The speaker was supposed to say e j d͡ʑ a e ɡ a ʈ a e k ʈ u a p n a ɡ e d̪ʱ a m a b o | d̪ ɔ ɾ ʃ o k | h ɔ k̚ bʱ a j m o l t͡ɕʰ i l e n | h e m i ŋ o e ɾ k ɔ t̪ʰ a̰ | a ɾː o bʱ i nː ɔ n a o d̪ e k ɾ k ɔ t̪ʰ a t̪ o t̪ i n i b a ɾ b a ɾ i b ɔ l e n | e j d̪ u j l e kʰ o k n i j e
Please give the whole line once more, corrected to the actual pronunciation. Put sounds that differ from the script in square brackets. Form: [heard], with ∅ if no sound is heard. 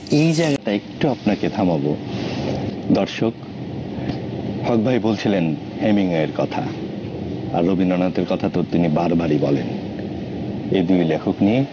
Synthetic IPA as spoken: e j d͡ʑ a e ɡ a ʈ a e k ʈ u a p n a [k] e d̪ʱ a m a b o | d̪ ɔ ɾ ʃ o k | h ɔ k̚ bʱ a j [b] o l t͡ɕʰ i l e n | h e m i ŋ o e ɾ k ɔ t̪ʰ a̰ | a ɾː o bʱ i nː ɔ n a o [t̪] e [∅] ɾ k ɔ t̪ʰ a t̪ o t̪ i n i b a ɾ b a ɾ i b ɔ l e n | e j d̪ u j l e kʰ o k n i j e